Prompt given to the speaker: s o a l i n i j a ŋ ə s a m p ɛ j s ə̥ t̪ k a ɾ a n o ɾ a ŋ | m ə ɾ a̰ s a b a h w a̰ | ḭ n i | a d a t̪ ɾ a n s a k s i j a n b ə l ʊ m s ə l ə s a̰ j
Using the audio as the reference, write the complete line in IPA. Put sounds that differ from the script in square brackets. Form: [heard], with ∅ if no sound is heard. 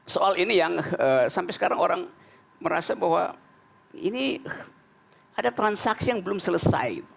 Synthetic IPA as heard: s o a l i n i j a ŋ ə s a m p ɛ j s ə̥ [∅] k a ɾ a [ŋ] o ɾ a ŋ | m ə ɾ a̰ s a b a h w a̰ | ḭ n i | a d a t̪ ɾ a n s a k s i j a [ŋ] b ə l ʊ m s ə l ə s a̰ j